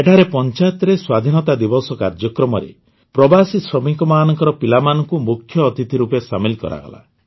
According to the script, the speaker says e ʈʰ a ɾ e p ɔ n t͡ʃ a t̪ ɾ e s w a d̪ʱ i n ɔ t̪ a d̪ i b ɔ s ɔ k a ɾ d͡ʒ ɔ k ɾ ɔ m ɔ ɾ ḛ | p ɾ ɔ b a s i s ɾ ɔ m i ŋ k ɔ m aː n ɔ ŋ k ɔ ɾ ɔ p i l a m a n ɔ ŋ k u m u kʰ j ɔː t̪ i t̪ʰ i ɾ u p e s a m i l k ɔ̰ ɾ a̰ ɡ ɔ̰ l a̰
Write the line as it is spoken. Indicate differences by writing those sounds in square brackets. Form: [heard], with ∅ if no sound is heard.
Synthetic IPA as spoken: e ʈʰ a ɾ e p ɔ n t͡ʃ a t̪ ɾ e s w a d̪ʱ i n ɔ t̪ a d̪ i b ɔ s ɔ k a ɾ d͡ʒ ɔ k ɾ ɔ m ɔ ɾ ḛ | p ɾ ɔ b a s i s ɾ ɔ m i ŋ k ɔ m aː n ɔ ŋ k ɔ ɾ ɔ p i l a m a n ɔ ŋ k u m u kʰ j ɔː t̪ i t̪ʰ i ɾ u p e s a m i l k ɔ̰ ɾ a̰ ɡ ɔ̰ l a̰